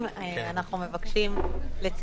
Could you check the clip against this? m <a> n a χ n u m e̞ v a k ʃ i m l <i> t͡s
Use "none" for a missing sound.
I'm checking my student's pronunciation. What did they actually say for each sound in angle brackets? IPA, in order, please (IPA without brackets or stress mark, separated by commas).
a, e